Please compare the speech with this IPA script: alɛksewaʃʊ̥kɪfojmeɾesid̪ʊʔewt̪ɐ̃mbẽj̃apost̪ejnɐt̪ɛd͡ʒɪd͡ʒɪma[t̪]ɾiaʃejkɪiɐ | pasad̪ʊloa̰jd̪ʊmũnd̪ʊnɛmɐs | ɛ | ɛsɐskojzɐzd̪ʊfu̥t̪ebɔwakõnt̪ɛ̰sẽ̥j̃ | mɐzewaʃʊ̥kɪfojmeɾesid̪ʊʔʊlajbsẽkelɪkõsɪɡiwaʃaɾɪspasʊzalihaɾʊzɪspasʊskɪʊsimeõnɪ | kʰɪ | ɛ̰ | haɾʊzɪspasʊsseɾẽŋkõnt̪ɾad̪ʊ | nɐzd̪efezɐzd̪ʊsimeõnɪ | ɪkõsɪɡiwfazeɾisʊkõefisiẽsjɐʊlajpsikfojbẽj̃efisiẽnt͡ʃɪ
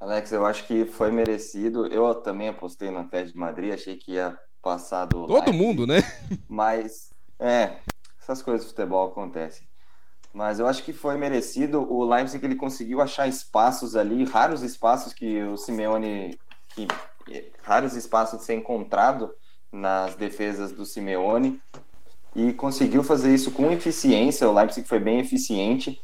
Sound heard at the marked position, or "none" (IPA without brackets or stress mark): d̪